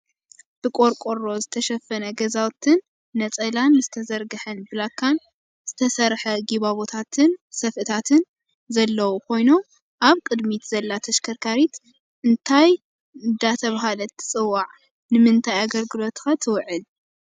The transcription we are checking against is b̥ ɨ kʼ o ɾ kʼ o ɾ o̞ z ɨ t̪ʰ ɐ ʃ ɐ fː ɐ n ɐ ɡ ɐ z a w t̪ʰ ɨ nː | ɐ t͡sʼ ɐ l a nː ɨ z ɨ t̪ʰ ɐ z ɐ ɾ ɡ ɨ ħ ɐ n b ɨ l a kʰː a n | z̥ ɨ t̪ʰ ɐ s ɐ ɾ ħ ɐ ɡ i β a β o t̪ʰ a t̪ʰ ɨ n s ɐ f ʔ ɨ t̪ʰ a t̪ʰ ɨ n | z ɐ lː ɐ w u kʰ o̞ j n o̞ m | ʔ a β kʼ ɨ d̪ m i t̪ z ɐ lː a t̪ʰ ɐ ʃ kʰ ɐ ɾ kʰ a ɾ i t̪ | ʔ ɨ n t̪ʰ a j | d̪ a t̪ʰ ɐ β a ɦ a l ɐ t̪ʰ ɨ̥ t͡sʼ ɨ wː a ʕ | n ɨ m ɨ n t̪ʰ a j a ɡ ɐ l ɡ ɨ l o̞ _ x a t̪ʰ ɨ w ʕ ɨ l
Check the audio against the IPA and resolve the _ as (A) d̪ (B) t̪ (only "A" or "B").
B